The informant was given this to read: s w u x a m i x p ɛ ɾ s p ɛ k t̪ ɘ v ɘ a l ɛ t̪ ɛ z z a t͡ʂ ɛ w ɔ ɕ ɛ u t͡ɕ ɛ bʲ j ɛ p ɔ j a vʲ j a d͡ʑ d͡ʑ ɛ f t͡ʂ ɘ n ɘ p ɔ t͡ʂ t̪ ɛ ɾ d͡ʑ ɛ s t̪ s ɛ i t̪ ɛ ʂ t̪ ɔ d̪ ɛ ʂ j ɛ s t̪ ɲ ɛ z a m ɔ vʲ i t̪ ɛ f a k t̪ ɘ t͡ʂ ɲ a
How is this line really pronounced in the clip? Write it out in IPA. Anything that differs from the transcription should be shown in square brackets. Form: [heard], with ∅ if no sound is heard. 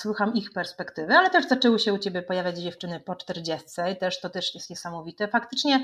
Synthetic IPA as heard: s w u x a m i x p ɛ ɾ s p ɛ k t̪ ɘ v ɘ a l ɛ t̪ ɛ [ʐ] z a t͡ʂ ɛ w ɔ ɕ ɛ u t͡ɕ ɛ bʲ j ɛ p ɔ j a vʲ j a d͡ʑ d͡ʑ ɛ f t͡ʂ ɘ n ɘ p ɔ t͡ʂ t̪ ɛ ɾ d͡ʑ ɛ s t̪ s ɛ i t̪ ɛ ʂ t̪ ɔ [t̪] ɛ ʂ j ɛ s t̪ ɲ ɛ [s] a m ɔ vʲ i t̪ ɛ f a k t̪ ɘ t͡ʂ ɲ [ɛ]